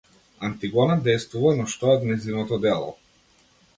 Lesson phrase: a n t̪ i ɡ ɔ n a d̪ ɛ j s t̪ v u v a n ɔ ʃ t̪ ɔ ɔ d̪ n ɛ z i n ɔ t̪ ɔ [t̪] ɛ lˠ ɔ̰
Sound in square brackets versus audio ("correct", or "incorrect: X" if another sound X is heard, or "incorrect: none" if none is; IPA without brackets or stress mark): incorrect: d̪